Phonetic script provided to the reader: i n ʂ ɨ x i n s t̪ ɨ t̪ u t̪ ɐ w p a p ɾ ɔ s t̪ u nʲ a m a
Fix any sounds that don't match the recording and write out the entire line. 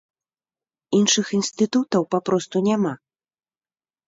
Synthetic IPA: i n ʂ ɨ x i n s t̪ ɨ t̪ u t̪ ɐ w p a p ɾ ɔ s t̪ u nʲ a m a